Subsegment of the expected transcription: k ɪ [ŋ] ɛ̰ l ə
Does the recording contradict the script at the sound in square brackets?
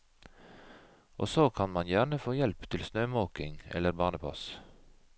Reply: no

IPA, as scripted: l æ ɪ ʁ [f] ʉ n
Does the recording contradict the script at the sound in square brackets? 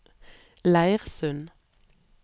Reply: yes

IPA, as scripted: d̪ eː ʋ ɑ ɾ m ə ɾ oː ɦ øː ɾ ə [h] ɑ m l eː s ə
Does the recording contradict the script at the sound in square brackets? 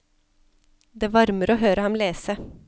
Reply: no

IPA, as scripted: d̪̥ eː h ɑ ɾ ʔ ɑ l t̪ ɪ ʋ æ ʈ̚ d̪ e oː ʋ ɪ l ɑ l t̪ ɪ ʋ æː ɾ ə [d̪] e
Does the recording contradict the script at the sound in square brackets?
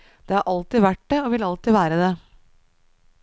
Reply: no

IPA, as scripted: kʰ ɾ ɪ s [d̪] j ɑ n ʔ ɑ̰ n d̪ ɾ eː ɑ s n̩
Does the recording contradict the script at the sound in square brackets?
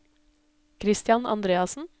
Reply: yes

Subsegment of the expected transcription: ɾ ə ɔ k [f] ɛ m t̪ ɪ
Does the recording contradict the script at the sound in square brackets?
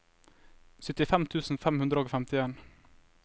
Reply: no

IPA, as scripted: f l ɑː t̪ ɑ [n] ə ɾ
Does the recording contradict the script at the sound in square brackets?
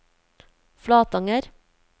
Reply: yes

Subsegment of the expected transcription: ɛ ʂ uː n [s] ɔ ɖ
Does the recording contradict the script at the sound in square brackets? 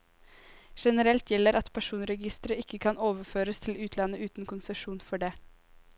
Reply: yes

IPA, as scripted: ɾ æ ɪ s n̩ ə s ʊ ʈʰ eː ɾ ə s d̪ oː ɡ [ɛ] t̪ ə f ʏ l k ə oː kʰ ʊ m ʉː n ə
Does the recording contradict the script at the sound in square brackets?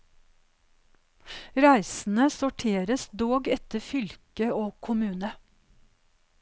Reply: no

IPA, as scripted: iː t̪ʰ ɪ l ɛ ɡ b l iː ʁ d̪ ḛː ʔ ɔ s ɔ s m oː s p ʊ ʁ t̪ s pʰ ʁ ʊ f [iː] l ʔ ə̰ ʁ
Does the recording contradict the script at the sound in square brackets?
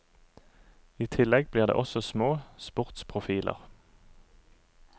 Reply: no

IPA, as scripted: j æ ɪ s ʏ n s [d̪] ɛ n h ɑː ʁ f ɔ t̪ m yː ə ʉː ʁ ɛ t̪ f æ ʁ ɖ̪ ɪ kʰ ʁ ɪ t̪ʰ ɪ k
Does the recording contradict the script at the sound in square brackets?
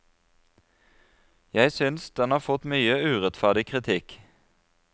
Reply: no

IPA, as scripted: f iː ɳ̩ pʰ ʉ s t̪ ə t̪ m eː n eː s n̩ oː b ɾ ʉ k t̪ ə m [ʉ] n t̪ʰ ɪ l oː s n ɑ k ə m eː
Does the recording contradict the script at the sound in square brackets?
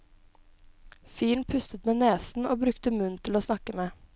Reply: no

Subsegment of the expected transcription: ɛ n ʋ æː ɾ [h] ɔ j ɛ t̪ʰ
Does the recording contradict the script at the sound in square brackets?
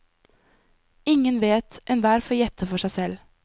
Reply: yes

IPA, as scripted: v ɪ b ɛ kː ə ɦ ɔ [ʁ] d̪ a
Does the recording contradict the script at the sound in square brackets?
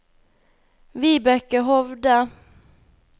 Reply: yes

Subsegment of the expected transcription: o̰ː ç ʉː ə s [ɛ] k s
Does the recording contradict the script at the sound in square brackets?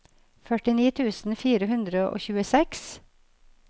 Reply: no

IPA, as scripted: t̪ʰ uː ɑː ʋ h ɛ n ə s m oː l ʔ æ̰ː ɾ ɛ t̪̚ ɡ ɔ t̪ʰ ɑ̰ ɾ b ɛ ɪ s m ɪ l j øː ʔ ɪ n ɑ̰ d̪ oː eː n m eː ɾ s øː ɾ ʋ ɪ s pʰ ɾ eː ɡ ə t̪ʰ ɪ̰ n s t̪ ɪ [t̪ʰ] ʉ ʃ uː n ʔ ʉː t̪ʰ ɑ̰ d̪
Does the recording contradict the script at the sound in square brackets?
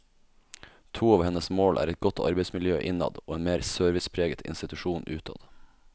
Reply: yes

